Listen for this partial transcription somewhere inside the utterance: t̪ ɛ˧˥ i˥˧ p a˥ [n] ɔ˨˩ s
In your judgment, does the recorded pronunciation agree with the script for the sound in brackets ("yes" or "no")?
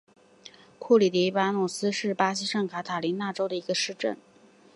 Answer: yes